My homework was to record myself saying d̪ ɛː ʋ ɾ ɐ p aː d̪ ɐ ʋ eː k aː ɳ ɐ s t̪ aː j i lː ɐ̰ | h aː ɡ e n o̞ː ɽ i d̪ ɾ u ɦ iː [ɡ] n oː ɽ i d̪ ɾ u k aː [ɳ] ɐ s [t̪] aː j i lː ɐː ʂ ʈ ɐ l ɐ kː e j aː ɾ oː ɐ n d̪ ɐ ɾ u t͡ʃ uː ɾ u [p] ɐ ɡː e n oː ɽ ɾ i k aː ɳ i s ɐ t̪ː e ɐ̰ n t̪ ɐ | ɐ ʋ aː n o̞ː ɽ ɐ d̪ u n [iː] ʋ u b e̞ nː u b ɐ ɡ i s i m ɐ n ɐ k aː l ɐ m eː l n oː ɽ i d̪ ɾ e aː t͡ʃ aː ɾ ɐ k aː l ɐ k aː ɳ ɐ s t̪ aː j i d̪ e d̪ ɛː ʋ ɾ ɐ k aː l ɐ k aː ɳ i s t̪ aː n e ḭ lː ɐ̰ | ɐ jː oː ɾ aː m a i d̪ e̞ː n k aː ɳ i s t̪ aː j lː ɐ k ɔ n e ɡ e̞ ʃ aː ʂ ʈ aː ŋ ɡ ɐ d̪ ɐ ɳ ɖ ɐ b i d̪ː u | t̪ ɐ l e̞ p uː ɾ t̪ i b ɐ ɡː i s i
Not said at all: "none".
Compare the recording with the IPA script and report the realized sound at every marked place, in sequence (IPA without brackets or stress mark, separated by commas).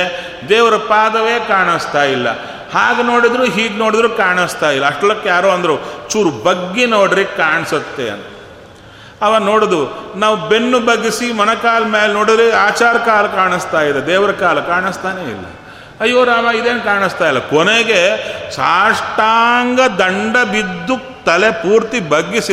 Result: ɡ, ɳ, t̪, b, aː